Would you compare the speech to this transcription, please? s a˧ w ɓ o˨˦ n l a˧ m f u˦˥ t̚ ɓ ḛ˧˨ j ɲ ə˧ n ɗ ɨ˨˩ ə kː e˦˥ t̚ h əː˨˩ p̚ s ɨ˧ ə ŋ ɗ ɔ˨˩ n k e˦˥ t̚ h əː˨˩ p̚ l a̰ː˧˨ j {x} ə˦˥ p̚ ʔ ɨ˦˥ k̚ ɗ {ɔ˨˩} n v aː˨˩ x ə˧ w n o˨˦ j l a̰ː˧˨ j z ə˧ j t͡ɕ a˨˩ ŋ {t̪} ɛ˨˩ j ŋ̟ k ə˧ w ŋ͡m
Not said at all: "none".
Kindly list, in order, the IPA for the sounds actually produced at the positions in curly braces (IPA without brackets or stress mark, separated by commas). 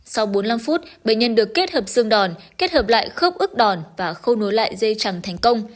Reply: x, ɔ˨˩, t̪ʰ